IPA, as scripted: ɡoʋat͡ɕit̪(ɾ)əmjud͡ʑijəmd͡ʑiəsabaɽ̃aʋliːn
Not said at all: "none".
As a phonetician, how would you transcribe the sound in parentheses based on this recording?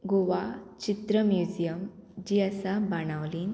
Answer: ɾ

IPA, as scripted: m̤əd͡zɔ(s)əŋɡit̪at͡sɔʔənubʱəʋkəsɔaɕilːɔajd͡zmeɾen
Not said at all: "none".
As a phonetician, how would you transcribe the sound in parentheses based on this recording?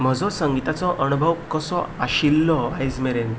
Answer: s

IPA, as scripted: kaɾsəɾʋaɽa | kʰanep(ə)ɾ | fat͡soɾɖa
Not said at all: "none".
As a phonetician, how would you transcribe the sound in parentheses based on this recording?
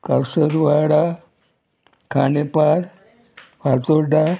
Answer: a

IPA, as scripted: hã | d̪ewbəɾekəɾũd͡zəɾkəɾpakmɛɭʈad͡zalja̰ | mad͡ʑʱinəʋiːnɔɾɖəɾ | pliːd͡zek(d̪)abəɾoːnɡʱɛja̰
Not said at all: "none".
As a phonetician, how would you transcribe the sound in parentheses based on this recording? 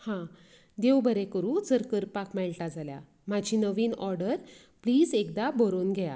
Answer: d̪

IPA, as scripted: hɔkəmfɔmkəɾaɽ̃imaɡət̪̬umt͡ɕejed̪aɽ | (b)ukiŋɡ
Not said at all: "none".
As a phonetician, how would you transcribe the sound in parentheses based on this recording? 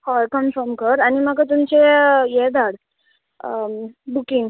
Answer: b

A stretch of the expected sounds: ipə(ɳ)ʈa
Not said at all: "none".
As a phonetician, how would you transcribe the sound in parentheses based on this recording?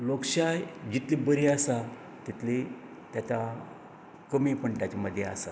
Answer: ɳ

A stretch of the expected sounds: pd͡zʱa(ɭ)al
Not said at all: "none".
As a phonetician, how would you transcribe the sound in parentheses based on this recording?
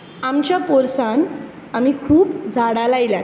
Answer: ɽ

